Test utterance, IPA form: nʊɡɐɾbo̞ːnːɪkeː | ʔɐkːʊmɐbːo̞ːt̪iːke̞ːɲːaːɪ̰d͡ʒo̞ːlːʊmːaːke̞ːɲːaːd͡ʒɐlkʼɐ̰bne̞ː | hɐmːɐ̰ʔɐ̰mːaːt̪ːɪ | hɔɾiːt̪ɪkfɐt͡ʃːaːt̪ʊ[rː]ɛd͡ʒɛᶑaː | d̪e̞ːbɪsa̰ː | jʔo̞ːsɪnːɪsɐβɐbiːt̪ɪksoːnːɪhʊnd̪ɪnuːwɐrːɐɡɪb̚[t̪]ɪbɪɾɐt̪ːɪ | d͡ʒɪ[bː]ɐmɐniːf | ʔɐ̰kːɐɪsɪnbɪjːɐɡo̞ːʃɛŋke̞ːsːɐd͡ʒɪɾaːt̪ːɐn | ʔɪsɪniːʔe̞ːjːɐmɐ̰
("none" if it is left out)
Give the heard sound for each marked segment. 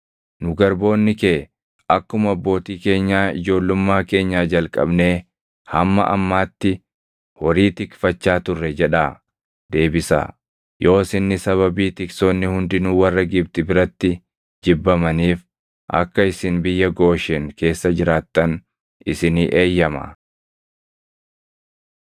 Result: rː, t̪, bː

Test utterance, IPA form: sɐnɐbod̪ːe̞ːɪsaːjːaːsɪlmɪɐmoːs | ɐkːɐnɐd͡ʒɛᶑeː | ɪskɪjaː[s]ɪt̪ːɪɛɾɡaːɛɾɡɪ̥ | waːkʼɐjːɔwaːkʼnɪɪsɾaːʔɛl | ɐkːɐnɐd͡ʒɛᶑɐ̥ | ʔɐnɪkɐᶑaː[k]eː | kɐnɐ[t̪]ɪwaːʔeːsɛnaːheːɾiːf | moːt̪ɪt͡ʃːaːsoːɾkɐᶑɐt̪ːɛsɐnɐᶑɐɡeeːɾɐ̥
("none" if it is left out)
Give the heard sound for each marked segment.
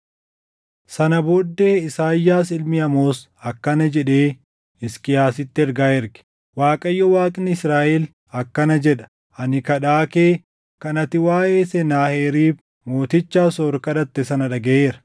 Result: s, k, t̪

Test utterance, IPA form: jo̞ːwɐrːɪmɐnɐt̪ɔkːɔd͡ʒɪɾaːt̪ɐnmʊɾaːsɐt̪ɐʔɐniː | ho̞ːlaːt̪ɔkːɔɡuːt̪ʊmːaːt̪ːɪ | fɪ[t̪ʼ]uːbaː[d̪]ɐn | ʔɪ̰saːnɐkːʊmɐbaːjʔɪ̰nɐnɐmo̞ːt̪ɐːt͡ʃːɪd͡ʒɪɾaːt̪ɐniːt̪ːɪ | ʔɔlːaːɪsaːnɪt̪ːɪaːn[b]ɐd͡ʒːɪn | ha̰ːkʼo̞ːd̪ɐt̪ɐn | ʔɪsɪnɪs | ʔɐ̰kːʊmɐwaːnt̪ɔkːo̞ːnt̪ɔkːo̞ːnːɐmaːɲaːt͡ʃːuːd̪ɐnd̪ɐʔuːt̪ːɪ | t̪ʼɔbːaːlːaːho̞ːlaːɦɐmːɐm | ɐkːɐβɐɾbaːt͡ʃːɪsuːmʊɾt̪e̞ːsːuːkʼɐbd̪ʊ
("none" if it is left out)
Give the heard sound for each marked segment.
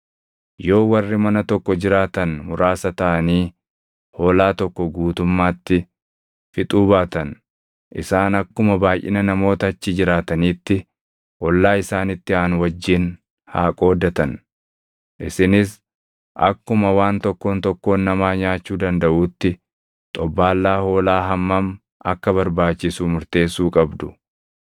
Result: t̪ʼ, t̪, w

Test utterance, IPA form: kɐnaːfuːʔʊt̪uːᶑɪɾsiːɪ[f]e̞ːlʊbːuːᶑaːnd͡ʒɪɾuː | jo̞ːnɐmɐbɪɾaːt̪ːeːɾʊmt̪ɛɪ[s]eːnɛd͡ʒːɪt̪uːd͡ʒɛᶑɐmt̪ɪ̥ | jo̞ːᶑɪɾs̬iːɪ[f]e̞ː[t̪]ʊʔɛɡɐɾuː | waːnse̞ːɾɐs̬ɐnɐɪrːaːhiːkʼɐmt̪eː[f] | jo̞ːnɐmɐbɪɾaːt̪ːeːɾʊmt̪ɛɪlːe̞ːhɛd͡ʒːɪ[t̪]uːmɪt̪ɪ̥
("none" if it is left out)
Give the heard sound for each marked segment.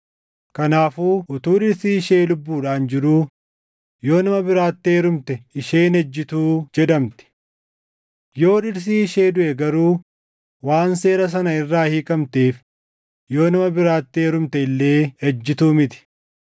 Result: ʃ, ʃ, ʃ, d̪, f, t̪

